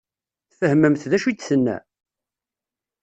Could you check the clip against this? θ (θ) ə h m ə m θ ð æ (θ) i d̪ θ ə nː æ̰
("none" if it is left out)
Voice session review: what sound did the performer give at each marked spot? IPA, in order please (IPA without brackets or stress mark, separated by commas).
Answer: f, ʃ